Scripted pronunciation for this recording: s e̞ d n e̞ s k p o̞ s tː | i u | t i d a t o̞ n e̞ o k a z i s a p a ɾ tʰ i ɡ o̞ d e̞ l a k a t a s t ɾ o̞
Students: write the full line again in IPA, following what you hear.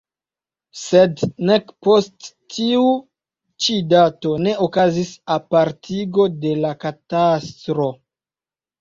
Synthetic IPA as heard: s e̞ d n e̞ k p o̞ s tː | i u | t͡ʃ i d a t o̞ n e̞ o k a z i s a p a ɾ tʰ i ɡ o̞ d e̞ l a k a t a s t ɾ o̞